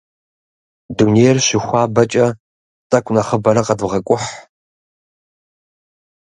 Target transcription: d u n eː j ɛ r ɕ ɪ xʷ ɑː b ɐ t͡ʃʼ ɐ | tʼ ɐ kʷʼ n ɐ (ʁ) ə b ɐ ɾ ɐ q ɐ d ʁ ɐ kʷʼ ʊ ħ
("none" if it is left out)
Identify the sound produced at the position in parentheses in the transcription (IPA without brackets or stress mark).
χ